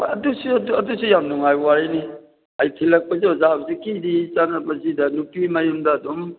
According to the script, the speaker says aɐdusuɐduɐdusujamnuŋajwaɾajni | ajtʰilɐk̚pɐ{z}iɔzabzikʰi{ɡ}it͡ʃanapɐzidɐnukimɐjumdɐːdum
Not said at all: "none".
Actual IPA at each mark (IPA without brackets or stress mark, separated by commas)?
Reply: z, d